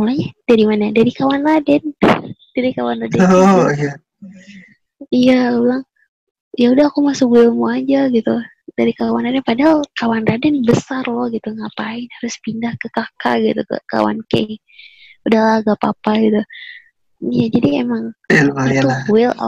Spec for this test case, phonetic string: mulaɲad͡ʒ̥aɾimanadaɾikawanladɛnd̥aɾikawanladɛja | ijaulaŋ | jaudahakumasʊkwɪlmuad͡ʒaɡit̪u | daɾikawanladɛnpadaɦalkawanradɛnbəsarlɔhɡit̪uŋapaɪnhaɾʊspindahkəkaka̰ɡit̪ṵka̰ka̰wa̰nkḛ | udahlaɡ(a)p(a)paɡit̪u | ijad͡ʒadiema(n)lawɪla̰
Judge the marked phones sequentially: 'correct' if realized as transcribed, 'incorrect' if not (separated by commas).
correct, correct, incorrect